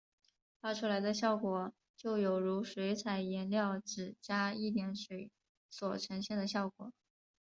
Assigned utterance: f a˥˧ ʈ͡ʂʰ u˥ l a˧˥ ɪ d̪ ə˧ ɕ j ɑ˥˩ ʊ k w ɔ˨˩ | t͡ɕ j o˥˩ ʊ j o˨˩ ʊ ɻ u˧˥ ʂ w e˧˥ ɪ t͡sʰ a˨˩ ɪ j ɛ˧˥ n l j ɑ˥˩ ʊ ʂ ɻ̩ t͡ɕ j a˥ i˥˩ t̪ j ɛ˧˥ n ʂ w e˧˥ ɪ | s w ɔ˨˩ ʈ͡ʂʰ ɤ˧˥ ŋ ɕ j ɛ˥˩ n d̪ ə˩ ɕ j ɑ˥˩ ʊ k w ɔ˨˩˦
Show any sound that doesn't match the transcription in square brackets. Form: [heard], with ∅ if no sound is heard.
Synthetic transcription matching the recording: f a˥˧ ʈ͡ʂʰ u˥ l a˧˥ ɪ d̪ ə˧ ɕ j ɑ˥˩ ʊ k w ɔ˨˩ | t͡ɕ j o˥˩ ʊ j o˨˩ ʊ ɻ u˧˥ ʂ w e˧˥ ɪ t͡sʰ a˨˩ ɪ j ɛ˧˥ n l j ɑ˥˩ ʊ [ʈ͡ʂ] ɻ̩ t͡ɕ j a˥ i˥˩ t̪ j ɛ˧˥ n ʂ w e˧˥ ɪ | s w ɔ˨˩ ʈ͡ʂʰ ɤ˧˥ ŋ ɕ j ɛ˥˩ n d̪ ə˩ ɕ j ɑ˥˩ ʊ k w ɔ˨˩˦